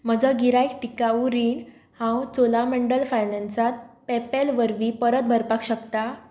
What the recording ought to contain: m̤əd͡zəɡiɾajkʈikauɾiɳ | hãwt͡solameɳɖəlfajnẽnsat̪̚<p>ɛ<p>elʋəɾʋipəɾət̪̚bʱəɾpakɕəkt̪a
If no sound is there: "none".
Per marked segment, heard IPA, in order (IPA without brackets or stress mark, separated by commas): p, p